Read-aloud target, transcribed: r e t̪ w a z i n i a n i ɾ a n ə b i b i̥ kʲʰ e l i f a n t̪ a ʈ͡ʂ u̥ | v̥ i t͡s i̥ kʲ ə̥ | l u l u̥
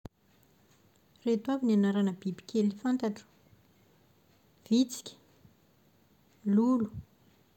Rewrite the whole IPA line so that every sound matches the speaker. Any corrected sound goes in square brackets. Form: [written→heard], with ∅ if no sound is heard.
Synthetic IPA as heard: r e t̪ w a [z→v] i n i a n [i→a] ɾ a n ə b i b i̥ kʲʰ e l i f a n t̪ a ʈ͡ʂ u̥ | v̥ i t͡s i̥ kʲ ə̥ | l u l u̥

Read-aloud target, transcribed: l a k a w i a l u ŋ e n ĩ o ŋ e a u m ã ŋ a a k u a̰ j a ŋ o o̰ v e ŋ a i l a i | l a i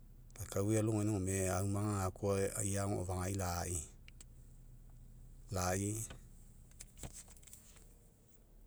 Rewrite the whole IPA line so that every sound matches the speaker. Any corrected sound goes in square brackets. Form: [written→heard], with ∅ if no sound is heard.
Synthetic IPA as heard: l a k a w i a l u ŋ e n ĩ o [ŋ→m] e a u m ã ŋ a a k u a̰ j a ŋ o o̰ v [e→a] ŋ a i l a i | l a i

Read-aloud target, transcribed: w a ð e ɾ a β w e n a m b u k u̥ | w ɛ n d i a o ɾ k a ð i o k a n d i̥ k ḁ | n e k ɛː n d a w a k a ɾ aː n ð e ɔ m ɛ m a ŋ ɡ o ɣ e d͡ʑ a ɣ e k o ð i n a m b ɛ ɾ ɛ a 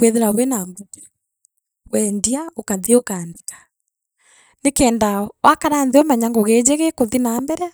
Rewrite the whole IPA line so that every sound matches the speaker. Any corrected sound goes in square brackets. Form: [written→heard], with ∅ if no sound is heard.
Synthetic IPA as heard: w [a→e] ð e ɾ a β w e n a m b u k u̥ | w ɛ n d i a o [ɾ→∅] k a ð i o k a n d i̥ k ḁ | n e k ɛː n d a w a k a ɾ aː n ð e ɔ m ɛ [m→ɲ] a ŋ ɡ o ɣ e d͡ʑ [a→e] ɣ e k o ð i n a m b ɛ ɾ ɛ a

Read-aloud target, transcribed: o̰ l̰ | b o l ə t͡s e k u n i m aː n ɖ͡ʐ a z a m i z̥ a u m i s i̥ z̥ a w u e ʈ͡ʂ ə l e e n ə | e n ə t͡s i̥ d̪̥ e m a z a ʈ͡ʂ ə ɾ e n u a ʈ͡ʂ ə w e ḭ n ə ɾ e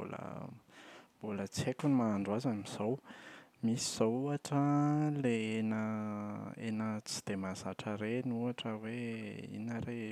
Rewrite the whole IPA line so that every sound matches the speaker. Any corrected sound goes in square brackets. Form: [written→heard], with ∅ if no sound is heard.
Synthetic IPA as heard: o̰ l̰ | b o l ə t͡s e k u n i m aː [n→ɳ] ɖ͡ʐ a z a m i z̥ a [u→w] m i s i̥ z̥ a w u [e→a] ʈ͡ʂ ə l e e n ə | e n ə t͡s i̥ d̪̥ e m a z a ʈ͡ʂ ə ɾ e n u a ʈ͡ʂ ə w e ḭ n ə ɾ e

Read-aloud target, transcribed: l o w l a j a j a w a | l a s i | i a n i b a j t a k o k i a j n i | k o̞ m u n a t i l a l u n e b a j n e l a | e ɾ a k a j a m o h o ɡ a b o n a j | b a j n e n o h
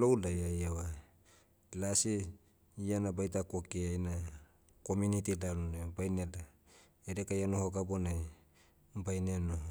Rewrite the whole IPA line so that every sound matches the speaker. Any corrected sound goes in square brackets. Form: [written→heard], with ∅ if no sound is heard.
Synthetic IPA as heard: l o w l a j a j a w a | l a s i | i a n [i→a] b a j t a k o k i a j n [i→a] | k o̞ m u n [a→i] t i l a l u n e b a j n e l a | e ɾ [a→e] k a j a [m→n] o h o ɡ a b o n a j | b a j n e n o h

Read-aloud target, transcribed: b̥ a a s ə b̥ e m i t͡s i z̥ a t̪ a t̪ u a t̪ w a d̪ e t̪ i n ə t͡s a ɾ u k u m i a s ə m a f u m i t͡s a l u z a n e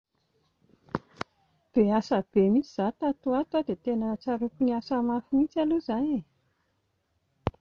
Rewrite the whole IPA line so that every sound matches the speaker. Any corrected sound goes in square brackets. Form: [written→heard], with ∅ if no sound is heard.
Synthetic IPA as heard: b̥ [a→e] a s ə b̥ e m i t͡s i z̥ a t̪ a t̪ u a t̪ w a d̪ e t̪ [i→e] n ə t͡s a ɾ u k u [m→n] i a s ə m a f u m i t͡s a l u z a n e

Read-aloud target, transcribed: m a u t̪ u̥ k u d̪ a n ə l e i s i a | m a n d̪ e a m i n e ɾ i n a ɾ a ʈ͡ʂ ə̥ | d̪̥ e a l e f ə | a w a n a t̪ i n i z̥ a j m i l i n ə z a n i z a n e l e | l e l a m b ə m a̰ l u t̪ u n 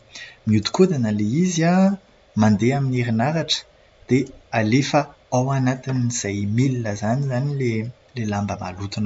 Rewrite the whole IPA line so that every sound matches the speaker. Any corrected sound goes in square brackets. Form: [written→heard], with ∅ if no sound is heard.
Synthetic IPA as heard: m [a→i] u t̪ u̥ k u d̪ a n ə l e i [s→z] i a | m a n d̪ e a m i n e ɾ i n a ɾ a ʈ͡ʂ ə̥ | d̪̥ e a l e f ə | a w a n a t̪ i n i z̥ a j m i l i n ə z a n i z a n [e→i] l e | l e l a m b ə m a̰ l u t̪ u n

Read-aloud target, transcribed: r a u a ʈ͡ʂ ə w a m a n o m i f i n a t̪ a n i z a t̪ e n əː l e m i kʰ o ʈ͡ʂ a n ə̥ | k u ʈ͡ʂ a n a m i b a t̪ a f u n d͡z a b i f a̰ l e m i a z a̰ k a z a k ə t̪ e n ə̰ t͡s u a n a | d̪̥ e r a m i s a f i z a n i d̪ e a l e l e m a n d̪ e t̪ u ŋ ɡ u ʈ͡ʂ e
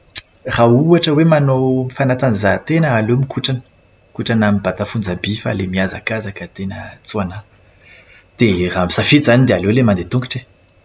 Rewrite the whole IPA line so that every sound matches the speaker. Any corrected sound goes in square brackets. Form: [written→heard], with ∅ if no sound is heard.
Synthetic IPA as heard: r a u a ʈ͡ʂ ə w [a→e] m a n o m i f [i→a] n a t̪ a n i z a t̪ e n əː l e m i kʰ [o→u] ʈ͡ʂ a n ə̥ | k u ʈ͡ʂ a n a m i b a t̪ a f u n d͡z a b i f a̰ l e m i a z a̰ k a z a k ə t̪ e n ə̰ t͡s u a n a | d̪̥ e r a m i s a f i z a n i d̪ e a l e l e m a n d̪ e t̪ u ŋ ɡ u ʈ͡ʂ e

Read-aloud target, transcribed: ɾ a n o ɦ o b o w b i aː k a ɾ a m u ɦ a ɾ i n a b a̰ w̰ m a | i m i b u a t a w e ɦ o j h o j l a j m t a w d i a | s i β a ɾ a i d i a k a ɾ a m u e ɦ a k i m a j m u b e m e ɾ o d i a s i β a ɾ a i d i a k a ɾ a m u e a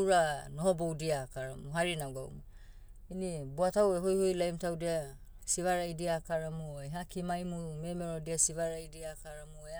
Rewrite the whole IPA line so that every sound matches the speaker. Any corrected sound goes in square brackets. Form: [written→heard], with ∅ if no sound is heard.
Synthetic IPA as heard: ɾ a n o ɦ o b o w [b→d] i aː k a ɾ a m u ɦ a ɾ i n a [b→ɡ] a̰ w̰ m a | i [m→n] i b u a t a w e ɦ o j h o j l a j m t a w d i a | s i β a ɾ a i d i a k a ɾ a m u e ɦ a k i m a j m u [b→m] e m e ɾ o d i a s i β a ɾ a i d i a k a ɾ a m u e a

